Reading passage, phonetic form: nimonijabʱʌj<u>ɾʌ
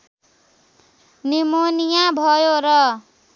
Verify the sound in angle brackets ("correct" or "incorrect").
incorrect